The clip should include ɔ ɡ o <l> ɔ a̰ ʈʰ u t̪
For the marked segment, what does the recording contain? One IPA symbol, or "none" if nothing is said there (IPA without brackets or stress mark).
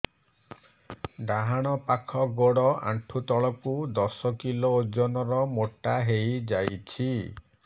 ɽ